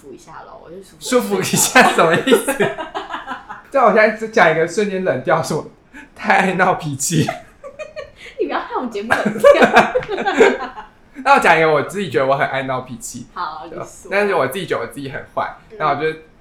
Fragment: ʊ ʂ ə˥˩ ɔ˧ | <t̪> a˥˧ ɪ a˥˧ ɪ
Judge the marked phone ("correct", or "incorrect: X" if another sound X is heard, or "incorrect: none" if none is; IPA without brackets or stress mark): incorrect: t̪ʰ